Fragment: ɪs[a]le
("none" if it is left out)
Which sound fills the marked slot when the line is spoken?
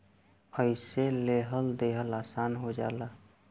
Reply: e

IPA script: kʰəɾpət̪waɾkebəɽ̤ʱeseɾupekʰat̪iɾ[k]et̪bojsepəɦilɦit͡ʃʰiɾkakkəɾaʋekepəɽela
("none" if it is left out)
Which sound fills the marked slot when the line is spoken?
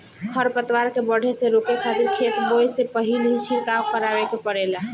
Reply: kʰ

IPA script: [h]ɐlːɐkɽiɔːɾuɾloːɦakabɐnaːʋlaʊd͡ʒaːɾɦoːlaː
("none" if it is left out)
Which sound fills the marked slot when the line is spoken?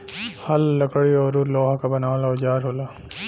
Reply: h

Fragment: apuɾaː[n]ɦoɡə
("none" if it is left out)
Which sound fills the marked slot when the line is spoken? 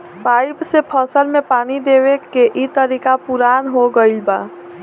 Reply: n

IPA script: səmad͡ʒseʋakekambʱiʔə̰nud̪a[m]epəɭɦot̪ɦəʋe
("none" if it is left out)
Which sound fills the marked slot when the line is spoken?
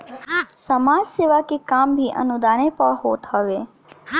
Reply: n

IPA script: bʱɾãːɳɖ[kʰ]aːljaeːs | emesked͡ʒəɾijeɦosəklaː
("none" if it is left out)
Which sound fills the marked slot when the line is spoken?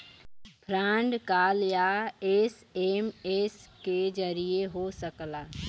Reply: k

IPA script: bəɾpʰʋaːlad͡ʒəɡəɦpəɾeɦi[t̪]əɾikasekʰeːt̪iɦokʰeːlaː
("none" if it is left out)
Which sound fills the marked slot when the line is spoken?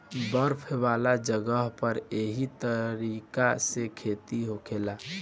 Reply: t̪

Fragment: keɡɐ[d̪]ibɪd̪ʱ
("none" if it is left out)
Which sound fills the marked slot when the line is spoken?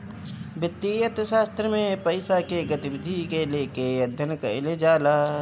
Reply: t̪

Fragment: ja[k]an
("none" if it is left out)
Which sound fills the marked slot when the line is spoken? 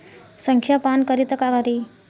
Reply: p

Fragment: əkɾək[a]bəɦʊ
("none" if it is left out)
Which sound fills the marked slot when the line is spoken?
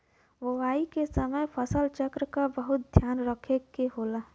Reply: a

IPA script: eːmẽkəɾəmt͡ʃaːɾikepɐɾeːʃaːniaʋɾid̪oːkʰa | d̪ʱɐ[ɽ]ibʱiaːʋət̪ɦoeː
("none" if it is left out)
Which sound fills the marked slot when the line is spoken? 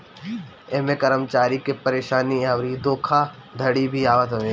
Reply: ɽ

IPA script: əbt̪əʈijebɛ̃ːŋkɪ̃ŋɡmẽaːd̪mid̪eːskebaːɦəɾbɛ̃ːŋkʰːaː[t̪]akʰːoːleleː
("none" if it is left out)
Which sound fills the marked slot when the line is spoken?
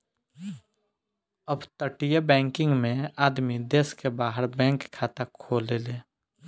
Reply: t̪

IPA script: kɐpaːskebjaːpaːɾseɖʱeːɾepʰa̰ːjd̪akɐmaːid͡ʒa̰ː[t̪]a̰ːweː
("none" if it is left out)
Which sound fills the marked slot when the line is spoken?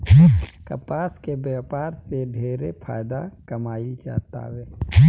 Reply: t̪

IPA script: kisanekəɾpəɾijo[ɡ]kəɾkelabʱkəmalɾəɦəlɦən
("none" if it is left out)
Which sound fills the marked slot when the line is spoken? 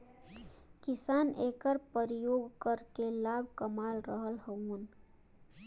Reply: ɡ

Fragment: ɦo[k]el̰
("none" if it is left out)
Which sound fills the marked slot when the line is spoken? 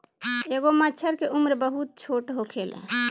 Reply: kʰ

